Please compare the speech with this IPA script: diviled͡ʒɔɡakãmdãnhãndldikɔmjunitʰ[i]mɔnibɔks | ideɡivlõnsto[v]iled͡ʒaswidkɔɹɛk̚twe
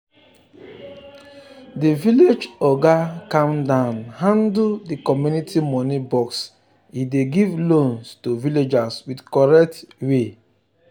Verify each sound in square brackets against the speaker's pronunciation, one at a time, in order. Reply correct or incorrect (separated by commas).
correct, correct